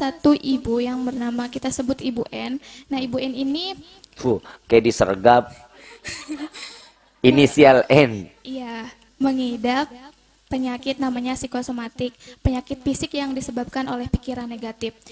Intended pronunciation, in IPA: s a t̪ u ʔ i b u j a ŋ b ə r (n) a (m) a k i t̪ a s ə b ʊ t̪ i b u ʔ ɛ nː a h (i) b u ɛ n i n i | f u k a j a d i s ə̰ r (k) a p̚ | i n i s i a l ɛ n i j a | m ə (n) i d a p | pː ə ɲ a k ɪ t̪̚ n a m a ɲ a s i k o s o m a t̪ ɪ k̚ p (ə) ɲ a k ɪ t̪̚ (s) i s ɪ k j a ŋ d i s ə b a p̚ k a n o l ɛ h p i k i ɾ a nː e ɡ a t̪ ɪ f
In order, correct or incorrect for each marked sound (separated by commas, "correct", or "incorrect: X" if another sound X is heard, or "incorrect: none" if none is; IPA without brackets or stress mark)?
correct, correct, correct, incorrect: ɡ, incorrect: ŋ, correct, incorrect: f